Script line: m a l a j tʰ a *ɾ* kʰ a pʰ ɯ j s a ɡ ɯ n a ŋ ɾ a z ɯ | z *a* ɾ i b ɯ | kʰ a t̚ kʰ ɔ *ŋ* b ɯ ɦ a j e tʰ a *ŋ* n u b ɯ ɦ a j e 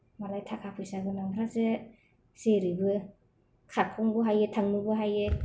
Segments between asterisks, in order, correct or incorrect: incorrect: none, incorrect: e, correct, correct

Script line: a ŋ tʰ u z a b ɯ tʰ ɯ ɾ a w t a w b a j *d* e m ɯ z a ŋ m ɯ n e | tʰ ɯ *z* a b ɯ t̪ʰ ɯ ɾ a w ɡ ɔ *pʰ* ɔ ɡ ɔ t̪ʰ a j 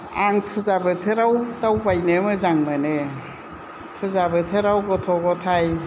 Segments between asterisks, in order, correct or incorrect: incorrect: n, correct, incorrect: tʰ

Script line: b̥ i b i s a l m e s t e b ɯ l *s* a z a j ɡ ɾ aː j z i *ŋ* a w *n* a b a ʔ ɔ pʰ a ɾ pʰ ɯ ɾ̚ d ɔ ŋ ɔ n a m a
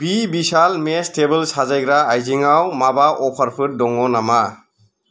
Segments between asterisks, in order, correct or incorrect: correct, correct, incorrect: m

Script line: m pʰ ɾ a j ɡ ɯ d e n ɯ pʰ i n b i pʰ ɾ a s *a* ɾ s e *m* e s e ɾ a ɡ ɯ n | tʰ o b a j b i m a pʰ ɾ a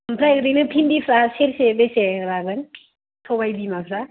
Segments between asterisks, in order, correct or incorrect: incorrect: e, incorrect: b

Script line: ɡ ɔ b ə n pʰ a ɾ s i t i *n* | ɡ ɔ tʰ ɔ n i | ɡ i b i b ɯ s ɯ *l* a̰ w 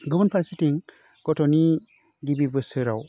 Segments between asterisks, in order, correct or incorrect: incorrect: ŋ, incorrect: ɾ

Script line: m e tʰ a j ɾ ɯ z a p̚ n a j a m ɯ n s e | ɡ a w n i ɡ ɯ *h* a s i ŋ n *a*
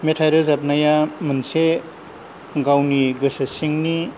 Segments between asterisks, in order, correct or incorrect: incorrect: s, incorrect: i

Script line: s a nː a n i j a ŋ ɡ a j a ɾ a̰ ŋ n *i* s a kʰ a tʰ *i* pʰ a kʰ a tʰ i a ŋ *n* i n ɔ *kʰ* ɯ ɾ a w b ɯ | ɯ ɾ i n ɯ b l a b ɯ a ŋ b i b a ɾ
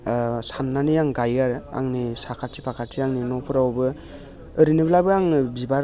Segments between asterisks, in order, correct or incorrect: correct, correct, correct, incorrect: pʰ

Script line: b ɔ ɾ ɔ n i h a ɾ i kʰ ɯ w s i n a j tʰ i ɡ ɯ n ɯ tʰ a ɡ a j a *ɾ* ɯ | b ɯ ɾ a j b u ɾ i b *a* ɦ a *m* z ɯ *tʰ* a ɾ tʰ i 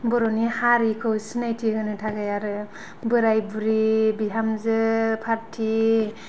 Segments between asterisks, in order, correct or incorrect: correct, incorrect: i, correct, incorrect: pʰ

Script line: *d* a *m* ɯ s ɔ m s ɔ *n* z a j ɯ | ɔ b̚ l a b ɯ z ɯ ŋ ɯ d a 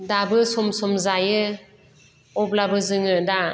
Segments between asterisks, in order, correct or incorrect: correct, incorrect: b, incorrect: m

